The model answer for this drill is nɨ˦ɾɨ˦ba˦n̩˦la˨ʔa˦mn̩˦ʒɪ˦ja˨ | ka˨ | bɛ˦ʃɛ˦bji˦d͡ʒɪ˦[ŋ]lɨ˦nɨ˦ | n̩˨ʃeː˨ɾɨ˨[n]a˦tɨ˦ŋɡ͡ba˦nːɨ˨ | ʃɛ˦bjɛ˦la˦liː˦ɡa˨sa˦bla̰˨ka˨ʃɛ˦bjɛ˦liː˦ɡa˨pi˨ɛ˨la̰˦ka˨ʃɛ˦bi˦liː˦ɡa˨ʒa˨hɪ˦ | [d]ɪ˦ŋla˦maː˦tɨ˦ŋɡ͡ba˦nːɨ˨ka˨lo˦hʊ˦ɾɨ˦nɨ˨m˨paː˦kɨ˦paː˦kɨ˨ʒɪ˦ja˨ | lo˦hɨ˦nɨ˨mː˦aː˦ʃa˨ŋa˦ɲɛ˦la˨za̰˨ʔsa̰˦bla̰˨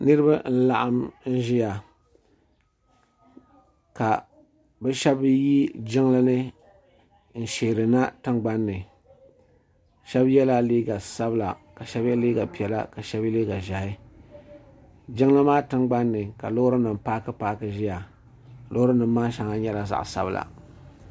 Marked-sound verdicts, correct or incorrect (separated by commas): correct, correct, incorrect